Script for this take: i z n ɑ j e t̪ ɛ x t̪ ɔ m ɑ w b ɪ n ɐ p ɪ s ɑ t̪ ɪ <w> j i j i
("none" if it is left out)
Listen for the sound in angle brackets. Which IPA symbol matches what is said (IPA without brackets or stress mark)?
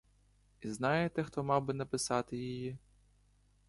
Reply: none